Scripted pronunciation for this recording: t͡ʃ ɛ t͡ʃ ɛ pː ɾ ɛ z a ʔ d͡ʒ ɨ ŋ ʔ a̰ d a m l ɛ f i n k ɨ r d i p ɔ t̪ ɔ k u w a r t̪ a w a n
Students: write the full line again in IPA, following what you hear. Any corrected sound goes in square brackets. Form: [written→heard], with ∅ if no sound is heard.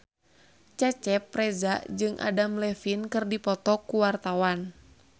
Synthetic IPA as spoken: t͡ʃ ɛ t͡ʃ ɛ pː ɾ ɛ z a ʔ d͡ʒ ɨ ŋ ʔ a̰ d a m l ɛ f i n k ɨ r d i p ɔ t̪ ɔ k u w a r t̪ a w a n